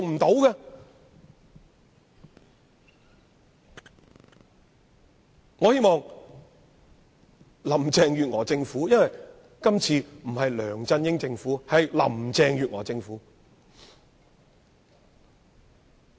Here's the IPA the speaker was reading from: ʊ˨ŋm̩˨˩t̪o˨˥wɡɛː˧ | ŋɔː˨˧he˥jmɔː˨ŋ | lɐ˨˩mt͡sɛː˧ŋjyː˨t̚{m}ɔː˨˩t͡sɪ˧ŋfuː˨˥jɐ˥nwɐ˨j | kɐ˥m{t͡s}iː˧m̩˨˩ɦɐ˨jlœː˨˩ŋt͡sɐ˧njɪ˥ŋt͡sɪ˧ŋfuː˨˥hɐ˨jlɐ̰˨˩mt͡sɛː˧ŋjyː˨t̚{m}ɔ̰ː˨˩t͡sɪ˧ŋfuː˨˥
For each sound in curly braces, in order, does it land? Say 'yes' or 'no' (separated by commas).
no, no, no